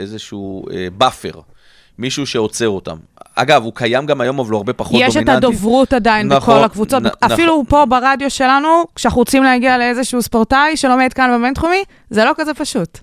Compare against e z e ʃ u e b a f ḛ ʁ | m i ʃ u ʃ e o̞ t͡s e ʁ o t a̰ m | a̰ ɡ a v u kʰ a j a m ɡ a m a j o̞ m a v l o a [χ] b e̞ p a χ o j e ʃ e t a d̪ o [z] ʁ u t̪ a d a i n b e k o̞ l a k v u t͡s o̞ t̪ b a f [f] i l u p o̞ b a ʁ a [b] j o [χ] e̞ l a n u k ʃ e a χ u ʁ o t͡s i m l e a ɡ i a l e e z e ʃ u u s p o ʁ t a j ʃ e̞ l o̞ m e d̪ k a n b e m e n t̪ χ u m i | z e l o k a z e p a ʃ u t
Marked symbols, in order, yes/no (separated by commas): no, no, yes, no, no